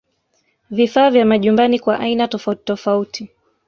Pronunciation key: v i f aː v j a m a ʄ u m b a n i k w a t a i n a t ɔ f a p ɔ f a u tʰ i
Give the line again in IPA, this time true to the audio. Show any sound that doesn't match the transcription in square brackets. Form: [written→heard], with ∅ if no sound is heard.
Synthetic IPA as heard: v i f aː v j a m a ʄ u m b a n i k w a [t→ʔ] a i n a t ɔ f a [p→t] ɔ f a u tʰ i